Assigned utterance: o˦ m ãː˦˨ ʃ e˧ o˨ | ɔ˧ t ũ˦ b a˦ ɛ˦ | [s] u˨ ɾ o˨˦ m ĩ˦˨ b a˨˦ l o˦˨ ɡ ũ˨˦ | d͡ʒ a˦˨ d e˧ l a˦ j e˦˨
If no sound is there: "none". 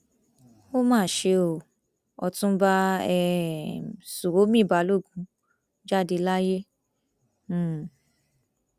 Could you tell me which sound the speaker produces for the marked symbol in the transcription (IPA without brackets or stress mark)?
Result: s